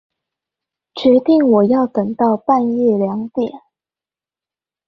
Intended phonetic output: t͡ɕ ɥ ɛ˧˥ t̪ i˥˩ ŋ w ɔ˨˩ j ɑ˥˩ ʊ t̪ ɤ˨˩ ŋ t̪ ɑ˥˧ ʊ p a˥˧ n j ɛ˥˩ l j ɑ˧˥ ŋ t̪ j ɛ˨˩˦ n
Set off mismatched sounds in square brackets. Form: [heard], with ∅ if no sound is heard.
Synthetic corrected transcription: t͡ɕ ɥ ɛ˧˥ t̪ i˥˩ ŋ w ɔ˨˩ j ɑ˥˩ ʊ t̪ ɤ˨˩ ŋ t̪ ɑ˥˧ ʊ p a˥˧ n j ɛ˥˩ l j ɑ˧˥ ŋ t̪ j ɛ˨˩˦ n